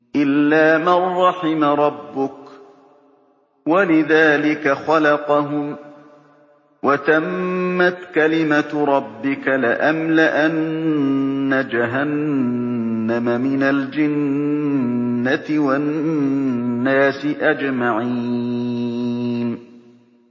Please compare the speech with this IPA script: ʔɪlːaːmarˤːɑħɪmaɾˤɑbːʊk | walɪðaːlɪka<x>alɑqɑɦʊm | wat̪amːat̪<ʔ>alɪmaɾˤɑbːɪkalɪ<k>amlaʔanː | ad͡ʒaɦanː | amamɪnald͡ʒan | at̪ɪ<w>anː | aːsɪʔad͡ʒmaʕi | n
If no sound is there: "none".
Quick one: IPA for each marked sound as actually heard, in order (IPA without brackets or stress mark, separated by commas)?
x, k, ʔ, w